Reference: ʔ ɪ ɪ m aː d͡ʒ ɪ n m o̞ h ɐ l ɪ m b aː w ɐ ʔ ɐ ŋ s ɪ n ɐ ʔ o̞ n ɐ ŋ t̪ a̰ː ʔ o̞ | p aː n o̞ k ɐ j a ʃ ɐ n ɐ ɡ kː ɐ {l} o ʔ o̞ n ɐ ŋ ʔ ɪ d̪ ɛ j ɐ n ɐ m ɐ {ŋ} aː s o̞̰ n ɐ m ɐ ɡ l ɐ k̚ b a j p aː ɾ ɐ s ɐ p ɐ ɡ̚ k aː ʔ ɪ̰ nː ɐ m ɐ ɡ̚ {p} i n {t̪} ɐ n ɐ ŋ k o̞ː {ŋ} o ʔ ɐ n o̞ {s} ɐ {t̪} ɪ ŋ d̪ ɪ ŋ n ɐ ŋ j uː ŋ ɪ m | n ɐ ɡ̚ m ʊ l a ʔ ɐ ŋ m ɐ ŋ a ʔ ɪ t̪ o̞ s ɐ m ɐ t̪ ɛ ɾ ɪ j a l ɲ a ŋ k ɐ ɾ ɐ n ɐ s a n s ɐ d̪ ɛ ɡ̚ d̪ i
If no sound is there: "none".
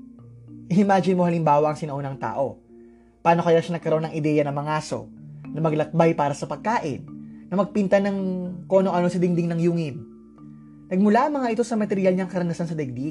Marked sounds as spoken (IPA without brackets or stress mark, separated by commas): ɾ, ŋ, p, t̪, n, s, d̪